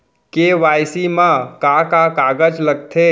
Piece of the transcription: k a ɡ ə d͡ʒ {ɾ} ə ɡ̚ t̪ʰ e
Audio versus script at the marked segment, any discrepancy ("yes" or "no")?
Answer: yes